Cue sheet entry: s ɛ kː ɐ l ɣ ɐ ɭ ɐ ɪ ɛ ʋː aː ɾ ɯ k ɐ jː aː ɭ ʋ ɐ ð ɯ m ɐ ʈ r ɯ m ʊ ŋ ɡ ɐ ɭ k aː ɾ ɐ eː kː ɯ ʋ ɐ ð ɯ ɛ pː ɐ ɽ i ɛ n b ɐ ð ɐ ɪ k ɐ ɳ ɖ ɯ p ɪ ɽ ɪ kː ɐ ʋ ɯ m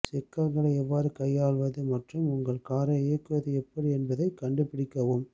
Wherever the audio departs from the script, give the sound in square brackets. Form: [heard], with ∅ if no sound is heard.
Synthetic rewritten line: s ɛ kː ɐ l ɣ ɐ ɭ ɐ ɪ ɛ ʋː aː ɾ ɯ k ɐ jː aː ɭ ʋ ɐ ð ɯ m ɐ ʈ r ɯ m ʊ ŋ ɡ ɐ ɭ k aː ɾ ɐ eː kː ɯ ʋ ɐ ð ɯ ɛ pː ɐ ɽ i ɛ n b ɐ ð ɐ ɪ k ɐ ɳ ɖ ɯ p ɪ ɽ ɪ kː ɐ ʋ ɯ m

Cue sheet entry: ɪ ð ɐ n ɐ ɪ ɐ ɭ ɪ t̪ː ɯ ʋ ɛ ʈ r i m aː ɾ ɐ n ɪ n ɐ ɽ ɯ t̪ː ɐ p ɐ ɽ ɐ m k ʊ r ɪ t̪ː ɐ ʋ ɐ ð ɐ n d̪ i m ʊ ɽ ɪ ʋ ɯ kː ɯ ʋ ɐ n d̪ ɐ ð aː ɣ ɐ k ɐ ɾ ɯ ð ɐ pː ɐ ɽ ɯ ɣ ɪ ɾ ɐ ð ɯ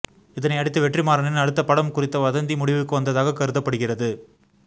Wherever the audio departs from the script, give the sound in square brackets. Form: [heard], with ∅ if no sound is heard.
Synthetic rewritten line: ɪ ð ɐ n ɐ ɪ ɐ [ɽ] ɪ t̪ː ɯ ʋ ɛ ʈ r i m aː ɾ ɐ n ɪ n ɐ ɽ ɯ t̪ː ɐ p ɐ ɽ ɐ m k ʊ r ɪ t̪ː ɐ ʋ ɐ ð ɐ n d̪ i m ʊ ɽ ɪ ʋ ɯ kː ɯ ʋ ɐ n d̪ ɐ ð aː ɣ ɐ k ɐ ɾ ɯ ð ɐ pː ɐ ɽ ɯ ɣ ɪ [r] ɐ ð ɯ

